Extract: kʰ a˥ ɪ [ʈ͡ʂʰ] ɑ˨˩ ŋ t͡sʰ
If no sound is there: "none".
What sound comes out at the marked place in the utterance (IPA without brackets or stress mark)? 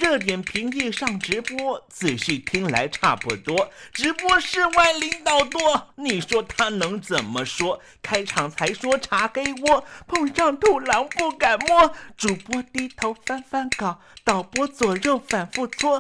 ʈ͡ʂʰ